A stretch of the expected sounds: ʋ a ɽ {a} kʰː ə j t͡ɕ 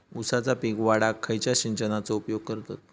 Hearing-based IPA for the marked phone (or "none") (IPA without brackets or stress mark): a